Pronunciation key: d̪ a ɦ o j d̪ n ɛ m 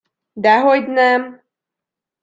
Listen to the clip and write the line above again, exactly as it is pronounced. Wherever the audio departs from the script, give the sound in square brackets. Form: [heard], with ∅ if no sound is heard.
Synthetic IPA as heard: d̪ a ɦ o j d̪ n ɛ m